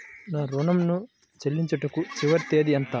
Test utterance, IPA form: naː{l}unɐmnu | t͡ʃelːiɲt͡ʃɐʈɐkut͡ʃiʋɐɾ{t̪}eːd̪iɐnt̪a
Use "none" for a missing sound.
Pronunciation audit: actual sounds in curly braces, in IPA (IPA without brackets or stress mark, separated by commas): ɾ, t̪